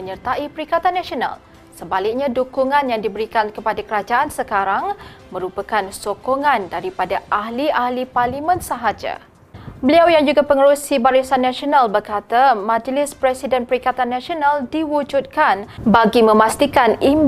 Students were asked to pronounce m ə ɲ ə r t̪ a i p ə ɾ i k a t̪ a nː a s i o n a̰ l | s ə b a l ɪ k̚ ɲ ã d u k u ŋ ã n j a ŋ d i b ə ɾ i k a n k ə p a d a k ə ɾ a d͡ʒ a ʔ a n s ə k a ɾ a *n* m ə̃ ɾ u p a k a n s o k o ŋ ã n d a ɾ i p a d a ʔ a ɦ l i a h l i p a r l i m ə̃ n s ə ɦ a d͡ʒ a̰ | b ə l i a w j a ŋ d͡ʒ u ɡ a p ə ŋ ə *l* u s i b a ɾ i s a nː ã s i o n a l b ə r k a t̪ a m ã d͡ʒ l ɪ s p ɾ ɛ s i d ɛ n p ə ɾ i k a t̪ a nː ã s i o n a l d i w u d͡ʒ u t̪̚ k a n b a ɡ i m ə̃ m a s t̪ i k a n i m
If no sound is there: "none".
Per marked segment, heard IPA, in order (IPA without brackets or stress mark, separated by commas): ŋ, ɾ